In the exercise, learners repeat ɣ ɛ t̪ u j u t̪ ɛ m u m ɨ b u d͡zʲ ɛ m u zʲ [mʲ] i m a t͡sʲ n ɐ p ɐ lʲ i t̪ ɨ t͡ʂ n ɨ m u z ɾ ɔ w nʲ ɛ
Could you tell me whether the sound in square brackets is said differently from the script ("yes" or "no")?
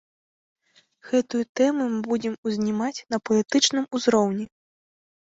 yes